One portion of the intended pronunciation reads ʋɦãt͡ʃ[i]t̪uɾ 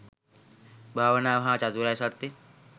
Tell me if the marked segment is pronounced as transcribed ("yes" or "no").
no